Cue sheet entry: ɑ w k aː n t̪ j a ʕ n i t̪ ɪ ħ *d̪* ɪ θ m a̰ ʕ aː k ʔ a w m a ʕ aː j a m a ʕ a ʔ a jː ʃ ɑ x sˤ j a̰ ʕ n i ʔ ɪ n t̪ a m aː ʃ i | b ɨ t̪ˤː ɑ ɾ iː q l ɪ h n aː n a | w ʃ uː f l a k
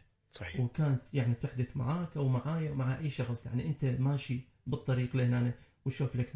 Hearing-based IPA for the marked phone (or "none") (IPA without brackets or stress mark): d̪